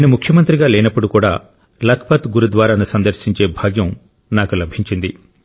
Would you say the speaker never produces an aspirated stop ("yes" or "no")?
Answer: no